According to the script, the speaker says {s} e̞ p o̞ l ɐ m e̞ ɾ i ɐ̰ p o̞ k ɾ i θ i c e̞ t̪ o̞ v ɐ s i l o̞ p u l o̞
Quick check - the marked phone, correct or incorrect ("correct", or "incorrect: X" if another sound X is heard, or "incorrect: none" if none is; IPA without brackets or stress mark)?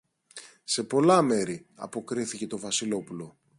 correct